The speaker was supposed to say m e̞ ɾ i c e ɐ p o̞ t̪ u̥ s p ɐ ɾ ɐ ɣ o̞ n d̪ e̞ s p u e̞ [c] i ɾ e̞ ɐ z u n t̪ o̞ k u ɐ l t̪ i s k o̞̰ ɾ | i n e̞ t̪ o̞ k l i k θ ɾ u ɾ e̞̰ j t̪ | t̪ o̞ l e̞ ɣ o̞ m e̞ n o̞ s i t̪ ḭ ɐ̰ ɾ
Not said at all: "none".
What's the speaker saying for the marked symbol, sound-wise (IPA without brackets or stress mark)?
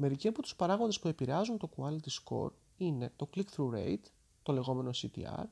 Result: p